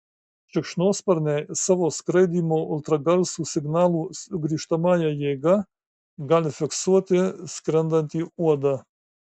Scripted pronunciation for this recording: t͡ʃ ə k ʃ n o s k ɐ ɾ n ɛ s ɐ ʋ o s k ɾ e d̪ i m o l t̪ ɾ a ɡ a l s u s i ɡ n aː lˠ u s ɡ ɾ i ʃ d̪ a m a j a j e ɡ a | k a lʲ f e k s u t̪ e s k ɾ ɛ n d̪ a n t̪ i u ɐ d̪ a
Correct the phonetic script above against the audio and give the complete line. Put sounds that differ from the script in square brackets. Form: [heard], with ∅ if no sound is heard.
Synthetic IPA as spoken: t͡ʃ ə k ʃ n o s [p] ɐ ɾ n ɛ s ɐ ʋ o s k ɾ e d̪ i m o l t̪ ɾ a ɡ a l s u s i ɡ n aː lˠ u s ɡ ɾ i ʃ [t̪] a m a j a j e ɡ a | [ɡ] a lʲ f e k s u t̪ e s k ɾ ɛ n d̪ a n t̪ i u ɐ d̪ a